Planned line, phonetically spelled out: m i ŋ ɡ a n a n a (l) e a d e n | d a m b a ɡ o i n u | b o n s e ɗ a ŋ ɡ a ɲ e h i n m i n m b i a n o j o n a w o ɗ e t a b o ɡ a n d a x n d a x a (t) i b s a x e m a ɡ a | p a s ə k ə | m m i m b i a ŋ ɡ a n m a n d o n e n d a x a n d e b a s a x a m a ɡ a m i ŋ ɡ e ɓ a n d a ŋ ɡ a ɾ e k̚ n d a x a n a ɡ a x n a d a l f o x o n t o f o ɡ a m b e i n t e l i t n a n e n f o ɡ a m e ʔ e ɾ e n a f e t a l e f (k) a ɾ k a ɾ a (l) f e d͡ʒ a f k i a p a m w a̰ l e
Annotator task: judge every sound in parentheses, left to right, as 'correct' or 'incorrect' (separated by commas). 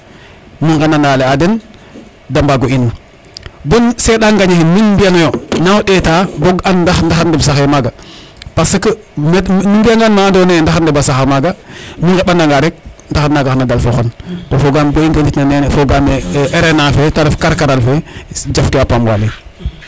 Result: correct, incorrect, correct, correct